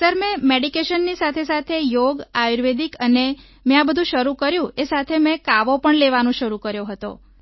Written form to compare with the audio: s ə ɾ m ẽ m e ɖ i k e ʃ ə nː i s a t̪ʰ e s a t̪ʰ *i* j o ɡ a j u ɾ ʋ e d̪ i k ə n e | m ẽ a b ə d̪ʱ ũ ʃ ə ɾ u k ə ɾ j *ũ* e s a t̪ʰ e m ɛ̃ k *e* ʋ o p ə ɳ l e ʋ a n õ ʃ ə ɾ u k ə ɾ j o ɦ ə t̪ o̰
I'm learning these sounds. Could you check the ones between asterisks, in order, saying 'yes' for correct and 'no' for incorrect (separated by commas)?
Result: no, yes, no